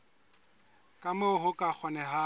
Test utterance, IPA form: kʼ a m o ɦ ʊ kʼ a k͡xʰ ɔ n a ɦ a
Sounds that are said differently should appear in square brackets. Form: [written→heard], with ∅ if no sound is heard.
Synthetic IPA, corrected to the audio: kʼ a m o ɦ ʊ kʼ a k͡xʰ ɔ n [a→ɛ] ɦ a

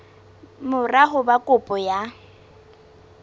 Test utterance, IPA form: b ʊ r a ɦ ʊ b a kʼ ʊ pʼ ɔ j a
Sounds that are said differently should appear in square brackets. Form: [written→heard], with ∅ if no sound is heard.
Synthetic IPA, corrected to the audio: [b→m] ʊ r a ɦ ʊ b a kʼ ʊ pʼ ɔ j a

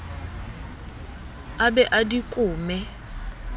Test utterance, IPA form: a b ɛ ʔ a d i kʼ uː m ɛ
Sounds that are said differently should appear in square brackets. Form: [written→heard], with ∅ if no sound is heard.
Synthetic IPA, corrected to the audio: a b ɛ ʔ a d i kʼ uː m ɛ

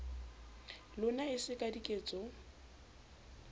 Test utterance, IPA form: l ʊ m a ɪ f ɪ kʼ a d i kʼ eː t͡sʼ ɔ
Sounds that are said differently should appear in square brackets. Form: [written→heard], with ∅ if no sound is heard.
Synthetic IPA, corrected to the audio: l ʊ [m→n] a ɪ [f→s] ɪ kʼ a d i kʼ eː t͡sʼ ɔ

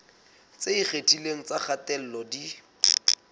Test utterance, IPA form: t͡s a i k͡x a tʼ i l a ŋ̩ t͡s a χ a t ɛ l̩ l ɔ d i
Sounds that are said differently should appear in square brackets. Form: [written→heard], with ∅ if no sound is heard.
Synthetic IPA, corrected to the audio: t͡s [a→e] i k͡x [a→e] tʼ i l [a→e] ŋ̩ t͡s a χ a t ɛ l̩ l ɔ d i

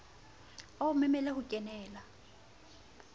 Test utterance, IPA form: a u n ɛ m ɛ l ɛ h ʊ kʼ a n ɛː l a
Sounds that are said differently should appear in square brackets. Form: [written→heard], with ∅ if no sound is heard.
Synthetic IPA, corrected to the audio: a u [n→m] ɛ m ɛ l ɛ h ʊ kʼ [a→ɛ] n ɛː l a

